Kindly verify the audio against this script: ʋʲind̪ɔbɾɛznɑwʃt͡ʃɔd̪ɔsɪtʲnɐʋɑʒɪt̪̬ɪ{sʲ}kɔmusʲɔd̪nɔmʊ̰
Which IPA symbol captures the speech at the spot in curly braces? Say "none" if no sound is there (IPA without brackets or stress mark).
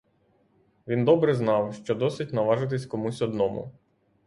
sʲ